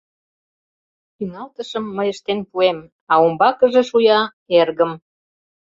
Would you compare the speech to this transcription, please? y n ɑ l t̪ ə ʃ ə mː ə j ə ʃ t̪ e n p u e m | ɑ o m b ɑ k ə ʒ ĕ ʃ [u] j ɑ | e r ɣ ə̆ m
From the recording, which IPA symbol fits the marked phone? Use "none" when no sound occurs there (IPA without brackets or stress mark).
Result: u